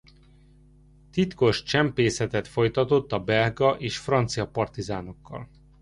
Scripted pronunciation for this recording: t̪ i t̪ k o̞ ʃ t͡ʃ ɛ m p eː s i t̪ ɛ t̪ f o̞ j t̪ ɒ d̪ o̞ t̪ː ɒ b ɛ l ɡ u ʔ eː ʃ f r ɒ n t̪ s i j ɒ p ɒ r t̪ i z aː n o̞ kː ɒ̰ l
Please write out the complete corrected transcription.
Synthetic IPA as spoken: t̪ i t̪ k o̞ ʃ t͡ʃ ɛ m p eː s ɛ t̪ ɛ t̪ f o̞ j t̪ ɒ t̪ o̞ t̪ː ɒ b ɛ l ɡ ɒ ʔ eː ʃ f r ɒ n t̪ s i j ɒ p ɒ r t̪ i z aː n o̞ kː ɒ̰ l